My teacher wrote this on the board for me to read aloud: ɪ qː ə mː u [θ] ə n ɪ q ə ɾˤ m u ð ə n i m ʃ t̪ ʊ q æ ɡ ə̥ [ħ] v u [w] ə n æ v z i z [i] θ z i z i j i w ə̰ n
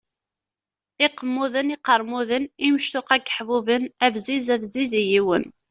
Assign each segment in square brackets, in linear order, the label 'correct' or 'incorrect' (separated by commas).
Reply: incorrect, correct, incorrect, incorrect